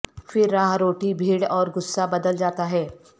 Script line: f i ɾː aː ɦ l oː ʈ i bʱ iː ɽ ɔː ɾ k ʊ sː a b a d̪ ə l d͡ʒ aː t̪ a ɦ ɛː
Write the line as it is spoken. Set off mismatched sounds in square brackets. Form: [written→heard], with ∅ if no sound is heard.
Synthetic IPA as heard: f [i→ɪ] ɾː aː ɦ [l→ɾ] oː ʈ i bʱ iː ɽ ɔː ɾ [k→ɡ] ʊ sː a b [a→ɐ] d̪ ə l d͡ʒ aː t̪ a ɦ ɛː